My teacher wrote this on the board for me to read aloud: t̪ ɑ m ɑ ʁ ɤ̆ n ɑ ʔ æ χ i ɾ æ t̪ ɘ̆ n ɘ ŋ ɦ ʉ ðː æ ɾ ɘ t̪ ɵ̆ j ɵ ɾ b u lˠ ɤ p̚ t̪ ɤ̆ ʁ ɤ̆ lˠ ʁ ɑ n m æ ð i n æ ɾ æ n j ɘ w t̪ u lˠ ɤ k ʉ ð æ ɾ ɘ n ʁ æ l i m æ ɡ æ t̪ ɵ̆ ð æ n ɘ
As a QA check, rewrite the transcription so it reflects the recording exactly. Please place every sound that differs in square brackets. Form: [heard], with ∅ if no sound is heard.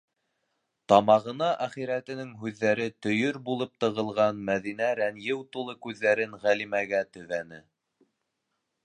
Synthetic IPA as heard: t̪ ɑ m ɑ ʁ ɤ̆ n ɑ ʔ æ χ i ɾ æ t̪ ɘ̆ n ɘ ŋ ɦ ʉ ðː æ ɾ ɘ t̪ ɵ̆ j ɵ ɾ b u lˠ ɤ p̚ t̪ ɤ̆ ʁ ɤ̆ lˠ ʁ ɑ n m æ ð i n æ ɾ æ n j ɘ w t̪ u lˠ ɤ k ʉ [ðː] æ ɾ ɘ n ʁ æ l i m æ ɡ æ t̪ ɵ̆ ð æ n ɘ